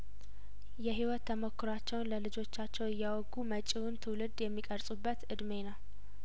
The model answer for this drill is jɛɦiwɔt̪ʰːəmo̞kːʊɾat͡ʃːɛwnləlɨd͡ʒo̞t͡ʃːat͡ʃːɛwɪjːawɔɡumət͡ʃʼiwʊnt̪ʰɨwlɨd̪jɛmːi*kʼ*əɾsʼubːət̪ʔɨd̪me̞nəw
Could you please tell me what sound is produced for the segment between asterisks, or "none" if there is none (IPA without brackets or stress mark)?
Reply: kʼ